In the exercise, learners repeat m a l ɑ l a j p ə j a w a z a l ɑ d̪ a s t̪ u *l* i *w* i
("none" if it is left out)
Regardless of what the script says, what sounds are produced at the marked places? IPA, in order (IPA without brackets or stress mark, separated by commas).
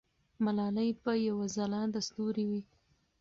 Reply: ɾ, w